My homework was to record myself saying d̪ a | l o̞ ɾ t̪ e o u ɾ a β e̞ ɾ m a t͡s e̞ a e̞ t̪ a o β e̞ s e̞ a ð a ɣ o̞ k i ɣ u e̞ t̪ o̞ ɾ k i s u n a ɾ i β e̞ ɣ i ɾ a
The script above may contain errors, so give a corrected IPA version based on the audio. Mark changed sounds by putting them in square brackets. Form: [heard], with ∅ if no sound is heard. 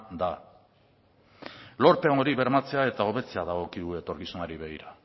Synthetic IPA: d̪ a | l o̞ ɾ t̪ e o [o] ɾ [i] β e̞ ɾ m a t͡s e̞ a e̞ t̪ a o β e̞ [t͡s] e̞ a ð a ɣ o̞ k i [ð] u e̞ t̪ o̞ ɾ k i s u n a ɾ i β e̞ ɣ i ɾ a

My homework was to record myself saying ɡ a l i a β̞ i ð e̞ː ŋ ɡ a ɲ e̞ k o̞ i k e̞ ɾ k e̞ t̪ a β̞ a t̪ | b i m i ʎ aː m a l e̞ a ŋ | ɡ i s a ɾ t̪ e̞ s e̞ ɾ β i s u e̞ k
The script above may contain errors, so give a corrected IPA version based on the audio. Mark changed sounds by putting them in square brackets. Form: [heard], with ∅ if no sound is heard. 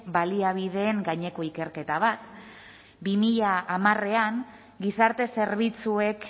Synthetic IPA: [b] a l i a β̞ i ð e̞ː ŋ ɡ a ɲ e̞ k o̞ i k e̞ ɾ k e̞ t̪ a β̞ a t̪ | b i m i ʎ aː m a [r] e̞ a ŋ | ɡ i s a ɾ t̪ e̞ s e̞ ɾ β i [t͡s] u e̞ k

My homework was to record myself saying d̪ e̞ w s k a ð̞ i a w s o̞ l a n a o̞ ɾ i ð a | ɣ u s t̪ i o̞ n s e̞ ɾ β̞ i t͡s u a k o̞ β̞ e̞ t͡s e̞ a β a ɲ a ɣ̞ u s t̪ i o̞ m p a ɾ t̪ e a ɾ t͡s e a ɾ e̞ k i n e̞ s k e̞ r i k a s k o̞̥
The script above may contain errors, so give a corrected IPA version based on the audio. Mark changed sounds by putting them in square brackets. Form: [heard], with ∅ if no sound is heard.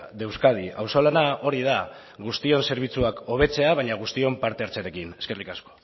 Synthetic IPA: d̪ e̞ w s k a ð̞ i a w s o̞ l a n a o̞ ɾ i ð a | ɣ u s t̪ i o̞ n s e̞ ɾ β̞ i t͡s u a k o̞ β̞ e̞ t͡s e̞ a β a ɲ a ɣ̞ u s t̪ i o̞ m p a ɾ t̪ e a ɾ t͡s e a ɾ e̞ k i n e̞ s k e̞ r i k a s k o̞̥

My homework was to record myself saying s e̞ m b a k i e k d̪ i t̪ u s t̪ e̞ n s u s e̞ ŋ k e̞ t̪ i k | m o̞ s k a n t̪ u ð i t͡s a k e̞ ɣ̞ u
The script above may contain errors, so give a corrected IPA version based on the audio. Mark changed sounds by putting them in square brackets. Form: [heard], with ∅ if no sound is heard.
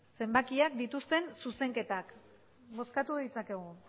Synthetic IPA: s e̞ m b a k i [a] k d̪ i t̪ u s t̪ e̞ n s u s e̞ ŋ k e̞ t̪ [a] k | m o̞ s k a [∅] t̪ u ð i t͡s a k e̞ ɣ̞ u

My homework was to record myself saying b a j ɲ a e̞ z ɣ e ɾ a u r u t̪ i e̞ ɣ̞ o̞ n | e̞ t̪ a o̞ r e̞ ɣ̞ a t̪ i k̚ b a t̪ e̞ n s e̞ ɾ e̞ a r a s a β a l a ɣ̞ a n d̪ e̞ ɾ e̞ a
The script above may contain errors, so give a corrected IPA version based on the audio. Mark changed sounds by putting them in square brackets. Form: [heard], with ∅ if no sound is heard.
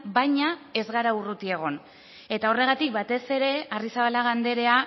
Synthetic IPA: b a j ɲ a e̞ z ɣ [a] ɾ a u r u t̪ i e̞ ɣ̞ o̞ n | e̞ t̪ a o̞ r e̞ ɣ̞ a t̪ i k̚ b a t̪ e̞ [∅] s e̞ ɾ e̞ a r [i] s a β a l a ɣ̞ a n d̪ e̞ ɾ e̞ a

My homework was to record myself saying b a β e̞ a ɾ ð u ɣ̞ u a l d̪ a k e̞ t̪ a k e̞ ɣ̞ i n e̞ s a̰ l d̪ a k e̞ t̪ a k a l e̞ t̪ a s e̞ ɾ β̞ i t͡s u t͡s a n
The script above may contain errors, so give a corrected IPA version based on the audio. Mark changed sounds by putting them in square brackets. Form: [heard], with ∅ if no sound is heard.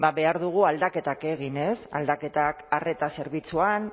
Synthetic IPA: b a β e̞ a ɾ ð u ɣ̞ u a l d̪ a k e̞ t̪ a k e̞ ɣ̞ i n e̞ s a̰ l d̪ a k e̞ t̪ a k a [r] e̞ t̪ a s e̞ ɾ β̞ i t͡s u [∅] a n

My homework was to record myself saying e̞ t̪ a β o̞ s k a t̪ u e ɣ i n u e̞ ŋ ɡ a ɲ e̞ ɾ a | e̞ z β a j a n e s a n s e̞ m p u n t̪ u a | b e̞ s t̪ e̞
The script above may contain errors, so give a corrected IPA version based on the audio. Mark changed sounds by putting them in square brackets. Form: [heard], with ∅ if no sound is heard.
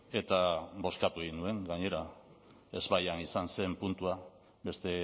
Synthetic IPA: e̞ t̪ a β o̞ s k a t̪ u e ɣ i n u e̞ ŋ ɡ a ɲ e̞ ɾ a | e̞ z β a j a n [i] s a n s e̞ m p u n t̪ u a | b e̞ s t̪ e̞

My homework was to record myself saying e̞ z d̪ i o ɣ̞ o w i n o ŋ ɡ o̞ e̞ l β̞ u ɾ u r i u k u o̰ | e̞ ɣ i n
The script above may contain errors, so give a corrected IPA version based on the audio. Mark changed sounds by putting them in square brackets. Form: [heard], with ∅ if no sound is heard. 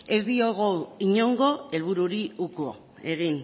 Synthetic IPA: e̞ z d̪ i o ɣ̞ o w i [ɲ] o ŋ ɡ o̞ e̞ l β̞ u ɾ u [ɾ] i u k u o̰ | e̞ ɣ i n

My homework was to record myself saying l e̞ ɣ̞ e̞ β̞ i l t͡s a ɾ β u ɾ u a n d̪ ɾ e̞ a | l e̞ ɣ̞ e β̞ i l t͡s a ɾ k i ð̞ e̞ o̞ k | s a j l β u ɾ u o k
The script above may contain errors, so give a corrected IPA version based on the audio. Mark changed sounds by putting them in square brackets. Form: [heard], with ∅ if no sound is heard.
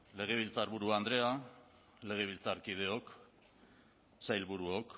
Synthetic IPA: l e̞ ɣ̞ e̞ β̞ i l t͡s a ɾ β u ɾ u a n d̪ ɾ e̞ a | l e̞ ɣ̞ e β̞ i l t͡s a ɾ k i ð̞ e̞ o̞ k | s a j l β u ɾ u o k

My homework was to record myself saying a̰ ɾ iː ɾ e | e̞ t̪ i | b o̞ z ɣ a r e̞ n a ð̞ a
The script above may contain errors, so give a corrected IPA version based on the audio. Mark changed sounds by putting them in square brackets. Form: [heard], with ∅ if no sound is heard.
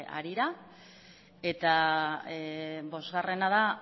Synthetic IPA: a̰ ɾ [i] ɾ [a] | e̞ t̪ [a] | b o̞ z ɣ a r e̞ n a ð̞ a

